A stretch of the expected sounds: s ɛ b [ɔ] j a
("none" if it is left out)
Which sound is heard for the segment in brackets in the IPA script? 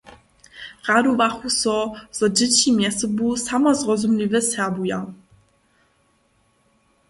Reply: u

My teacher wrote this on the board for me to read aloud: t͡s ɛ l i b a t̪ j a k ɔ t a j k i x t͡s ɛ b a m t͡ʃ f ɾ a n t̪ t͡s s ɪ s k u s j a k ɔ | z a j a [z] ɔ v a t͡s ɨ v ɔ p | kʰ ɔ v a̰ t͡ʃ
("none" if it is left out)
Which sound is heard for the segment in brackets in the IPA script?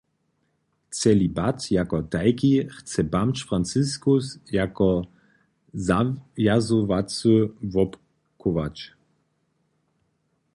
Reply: z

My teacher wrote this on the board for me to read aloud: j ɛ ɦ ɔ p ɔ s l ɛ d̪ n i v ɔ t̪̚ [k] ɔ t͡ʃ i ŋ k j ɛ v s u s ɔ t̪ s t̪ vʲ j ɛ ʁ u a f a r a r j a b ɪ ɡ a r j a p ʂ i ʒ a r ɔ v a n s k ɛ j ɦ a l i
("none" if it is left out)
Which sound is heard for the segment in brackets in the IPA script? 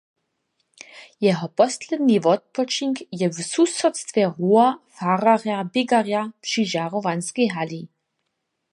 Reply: p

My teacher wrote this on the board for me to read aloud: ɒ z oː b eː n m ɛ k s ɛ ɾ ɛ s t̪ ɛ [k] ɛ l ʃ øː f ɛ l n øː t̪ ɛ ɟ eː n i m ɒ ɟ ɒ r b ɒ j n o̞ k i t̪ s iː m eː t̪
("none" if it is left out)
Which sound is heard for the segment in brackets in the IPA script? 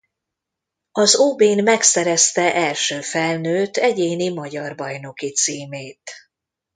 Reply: ʔ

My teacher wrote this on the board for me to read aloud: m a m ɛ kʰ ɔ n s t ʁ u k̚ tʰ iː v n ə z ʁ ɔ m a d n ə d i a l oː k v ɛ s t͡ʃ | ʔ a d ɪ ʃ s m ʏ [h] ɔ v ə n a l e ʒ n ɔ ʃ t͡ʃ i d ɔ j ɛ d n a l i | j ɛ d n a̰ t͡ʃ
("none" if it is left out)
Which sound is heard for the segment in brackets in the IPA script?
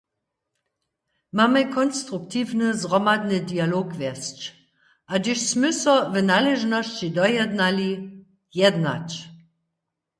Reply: s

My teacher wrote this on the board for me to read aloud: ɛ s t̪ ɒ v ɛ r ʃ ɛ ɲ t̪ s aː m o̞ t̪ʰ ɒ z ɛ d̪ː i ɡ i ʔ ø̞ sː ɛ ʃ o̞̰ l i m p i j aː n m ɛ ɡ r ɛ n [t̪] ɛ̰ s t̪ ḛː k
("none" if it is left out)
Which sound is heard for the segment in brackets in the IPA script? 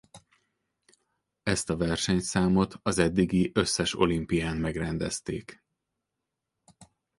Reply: d̪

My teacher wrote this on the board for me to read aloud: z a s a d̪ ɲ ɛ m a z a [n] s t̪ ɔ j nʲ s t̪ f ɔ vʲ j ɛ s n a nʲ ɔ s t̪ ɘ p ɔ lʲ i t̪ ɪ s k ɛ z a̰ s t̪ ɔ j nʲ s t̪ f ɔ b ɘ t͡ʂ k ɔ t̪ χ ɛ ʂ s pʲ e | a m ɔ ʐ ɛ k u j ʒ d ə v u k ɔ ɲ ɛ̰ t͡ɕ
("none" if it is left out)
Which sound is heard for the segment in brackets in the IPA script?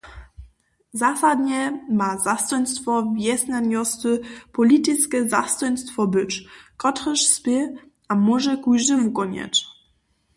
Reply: none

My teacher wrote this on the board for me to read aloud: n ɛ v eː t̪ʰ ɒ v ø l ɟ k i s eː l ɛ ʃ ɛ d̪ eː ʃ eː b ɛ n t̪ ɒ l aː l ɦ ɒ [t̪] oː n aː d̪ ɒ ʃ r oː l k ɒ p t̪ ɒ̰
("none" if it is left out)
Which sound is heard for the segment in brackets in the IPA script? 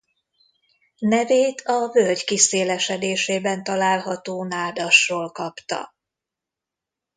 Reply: t̪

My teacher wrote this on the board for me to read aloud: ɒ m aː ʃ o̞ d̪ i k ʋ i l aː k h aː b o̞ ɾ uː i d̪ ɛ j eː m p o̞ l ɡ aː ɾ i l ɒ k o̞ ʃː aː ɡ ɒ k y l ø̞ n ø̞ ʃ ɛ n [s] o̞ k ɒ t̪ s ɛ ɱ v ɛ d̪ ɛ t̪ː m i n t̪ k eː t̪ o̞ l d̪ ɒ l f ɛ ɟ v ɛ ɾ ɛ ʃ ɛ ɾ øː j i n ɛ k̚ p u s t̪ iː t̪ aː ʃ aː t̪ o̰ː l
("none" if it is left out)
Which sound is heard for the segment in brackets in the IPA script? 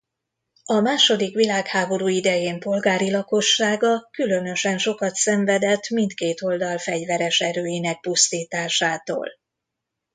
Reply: ʃ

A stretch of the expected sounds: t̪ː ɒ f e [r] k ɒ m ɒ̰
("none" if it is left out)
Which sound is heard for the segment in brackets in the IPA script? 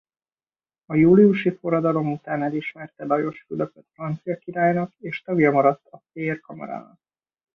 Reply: r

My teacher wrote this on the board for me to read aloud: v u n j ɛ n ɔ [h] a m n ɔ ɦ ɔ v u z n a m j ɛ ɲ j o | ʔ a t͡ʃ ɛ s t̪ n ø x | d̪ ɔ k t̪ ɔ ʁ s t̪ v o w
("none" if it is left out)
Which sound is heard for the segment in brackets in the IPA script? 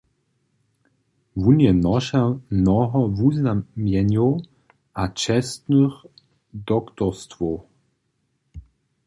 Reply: ʃ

